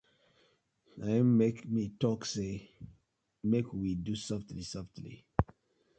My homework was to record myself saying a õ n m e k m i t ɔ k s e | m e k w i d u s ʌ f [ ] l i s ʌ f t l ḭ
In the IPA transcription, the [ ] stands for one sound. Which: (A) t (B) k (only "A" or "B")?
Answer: A